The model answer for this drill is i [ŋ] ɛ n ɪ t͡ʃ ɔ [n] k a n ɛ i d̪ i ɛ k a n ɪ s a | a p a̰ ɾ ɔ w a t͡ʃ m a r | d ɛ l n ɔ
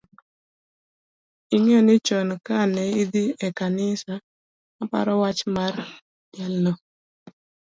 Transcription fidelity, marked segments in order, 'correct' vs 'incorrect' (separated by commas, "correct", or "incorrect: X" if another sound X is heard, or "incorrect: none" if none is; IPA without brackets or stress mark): correct, correct